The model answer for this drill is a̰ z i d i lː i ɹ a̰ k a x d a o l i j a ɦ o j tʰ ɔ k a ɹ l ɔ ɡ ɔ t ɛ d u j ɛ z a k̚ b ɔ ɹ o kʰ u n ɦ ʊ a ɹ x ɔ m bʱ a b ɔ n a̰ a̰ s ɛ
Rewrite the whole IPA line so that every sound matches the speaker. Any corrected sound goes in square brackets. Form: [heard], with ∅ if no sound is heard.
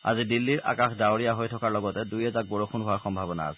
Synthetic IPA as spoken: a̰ z i d i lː i ɹ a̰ k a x d a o [ɹ] i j a ɦ o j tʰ ɔ k a ɹ l ɔ ɡ ɔ t ɛ d u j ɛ z a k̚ b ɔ ɹ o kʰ u n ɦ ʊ a ɹ x ɔ m bʱ a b ɔ n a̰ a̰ s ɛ